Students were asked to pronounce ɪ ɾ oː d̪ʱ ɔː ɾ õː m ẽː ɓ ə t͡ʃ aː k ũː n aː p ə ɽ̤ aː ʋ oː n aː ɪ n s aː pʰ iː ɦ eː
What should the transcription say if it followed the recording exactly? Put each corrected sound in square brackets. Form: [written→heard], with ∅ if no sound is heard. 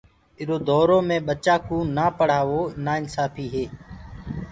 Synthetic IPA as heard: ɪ ɾ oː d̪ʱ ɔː ɾ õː m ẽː ɓ ə t͡ʃ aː k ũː n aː p ə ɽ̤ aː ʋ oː n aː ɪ n s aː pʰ iː ɦ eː